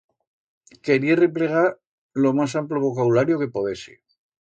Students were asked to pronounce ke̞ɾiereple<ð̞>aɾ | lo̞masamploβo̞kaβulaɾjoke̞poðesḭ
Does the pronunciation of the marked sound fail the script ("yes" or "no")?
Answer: yes